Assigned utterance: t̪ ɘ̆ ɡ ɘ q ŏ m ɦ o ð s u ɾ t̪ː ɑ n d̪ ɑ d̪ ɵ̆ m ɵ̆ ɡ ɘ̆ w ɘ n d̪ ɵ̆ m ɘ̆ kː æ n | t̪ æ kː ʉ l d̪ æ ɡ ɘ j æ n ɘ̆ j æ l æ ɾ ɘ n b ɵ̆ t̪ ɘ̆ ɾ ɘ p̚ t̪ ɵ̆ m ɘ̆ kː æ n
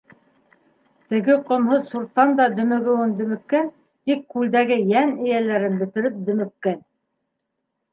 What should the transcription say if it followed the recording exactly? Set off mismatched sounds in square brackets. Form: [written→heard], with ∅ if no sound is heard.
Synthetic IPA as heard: t̪ ɘ̆ ɡ ɘ q ŏ m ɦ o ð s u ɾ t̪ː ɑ n d̪ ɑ d̪ ɵ̆ m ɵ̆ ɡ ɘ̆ w ɘ n d̪ ɵ̆ m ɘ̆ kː æ n | t̪ [æ→i] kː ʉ l d̪ æ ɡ ɘ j æ n ɘ̆ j æ l æ ɾ ɘ n b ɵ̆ t̪ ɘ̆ ɾ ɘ p̚ [t̪→d̪] ɵ̆ m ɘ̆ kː æ n